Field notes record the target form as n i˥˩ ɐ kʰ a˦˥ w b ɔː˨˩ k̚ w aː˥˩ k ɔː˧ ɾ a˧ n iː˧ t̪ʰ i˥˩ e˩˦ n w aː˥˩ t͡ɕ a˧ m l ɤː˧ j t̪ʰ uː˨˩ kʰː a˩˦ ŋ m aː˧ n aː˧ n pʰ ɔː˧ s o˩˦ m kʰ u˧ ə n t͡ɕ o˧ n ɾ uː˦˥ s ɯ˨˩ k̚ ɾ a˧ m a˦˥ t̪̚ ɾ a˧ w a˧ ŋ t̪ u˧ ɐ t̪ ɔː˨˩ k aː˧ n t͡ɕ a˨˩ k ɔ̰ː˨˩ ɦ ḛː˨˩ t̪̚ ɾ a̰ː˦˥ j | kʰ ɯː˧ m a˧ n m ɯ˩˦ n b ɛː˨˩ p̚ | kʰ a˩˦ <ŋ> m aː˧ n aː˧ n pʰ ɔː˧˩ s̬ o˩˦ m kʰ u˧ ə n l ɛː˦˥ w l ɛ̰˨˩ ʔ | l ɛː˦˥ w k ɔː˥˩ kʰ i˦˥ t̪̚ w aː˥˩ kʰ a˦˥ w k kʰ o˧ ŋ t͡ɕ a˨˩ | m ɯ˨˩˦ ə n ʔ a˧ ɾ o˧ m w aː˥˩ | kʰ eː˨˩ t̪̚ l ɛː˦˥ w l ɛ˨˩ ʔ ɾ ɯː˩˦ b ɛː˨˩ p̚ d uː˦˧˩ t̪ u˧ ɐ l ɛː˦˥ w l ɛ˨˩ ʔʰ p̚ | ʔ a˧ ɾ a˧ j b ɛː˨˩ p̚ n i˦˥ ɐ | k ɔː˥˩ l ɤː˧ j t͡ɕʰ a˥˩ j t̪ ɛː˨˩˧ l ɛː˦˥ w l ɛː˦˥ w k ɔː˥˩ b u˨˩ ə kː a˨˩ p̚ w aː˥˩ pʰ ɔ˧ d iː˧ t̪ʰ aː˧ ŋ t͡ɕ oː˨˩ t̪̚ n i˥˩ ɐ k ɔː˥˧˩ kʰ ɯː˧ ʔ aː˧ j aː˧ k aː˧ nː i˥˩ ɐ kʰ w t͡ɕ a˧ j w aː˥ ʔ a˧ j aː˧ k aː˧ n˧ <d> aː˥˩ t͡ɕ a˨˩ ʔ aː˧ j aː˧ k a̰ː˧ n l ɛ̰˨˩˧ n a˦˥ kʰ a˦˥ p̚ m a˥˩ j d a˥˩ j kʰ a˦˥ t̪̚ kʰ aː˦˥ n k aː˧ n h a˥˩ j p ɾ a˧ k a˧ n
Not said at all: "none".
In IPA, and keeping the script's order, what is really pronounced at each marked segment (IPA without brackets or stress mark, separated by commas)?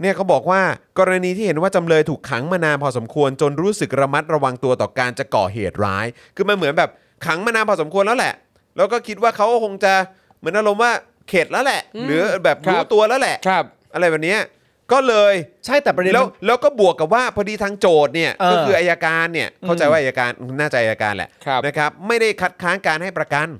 ŋ, n